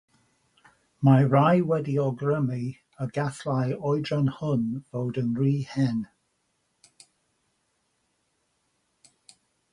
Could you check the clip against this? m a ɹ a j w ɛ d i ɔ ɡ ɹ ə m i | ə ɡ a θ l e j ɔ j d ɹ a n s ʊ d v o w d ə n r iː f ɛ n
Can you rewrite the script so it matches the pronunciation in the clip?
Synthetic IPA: m a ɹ a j w ɛ d i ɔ ɡ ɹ ə m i | ə ɡ a θ l a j ɔ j d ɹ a n h ʊ n v o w d ə n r iː h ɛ n